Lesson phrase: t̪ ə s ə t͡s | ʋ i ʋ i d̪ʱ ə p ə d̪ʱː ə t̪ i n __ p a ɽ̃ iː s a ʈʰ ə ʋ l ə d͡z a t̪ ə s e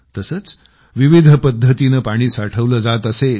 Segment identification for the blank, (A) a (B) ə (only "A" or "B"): B